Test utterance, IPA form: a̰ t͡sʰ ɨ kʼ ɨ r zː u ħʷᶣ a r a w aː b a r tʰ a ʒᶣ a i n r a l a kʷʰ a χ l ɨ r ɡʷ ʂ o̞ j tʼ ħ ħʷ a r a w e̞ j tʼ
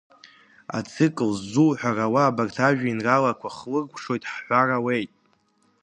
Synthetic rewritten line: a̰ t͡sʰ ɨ kʼ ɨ l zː u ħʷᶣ a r a w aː b a r tʰ a ʒᶣ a i n r a l a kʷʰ a χ l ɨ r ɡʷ ʂ o̞ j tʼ ħ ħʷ a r a w e̞ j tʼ